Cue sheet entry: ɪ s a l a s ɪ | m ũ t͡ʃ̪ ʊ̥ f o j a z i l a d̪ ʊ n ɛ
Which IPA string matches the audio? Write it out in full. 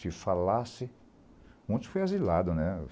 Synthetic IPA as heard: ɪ f a l a s ɪ | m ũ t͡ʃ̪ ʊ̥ f o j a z i l a d̪ ʊ n ɛ